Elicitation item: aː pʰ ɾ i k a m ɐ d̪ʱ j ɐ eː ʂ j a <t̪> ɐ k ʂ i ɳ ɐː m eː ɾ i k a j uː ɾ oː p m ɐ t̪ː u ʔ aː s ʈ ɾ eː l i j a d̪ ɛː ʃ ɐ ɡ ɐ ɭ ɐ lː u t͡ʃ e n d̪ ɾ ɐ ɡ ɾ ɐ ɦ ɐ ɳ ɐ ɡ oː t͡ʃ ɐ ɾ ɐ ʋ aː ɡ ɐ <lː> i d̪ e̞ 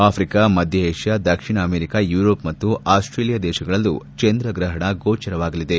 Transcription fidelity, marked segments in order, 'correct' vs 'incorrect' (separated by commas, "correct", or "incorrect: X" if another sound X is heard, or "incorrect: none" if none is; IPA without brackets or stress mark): incorrect: d̪, incorrect: l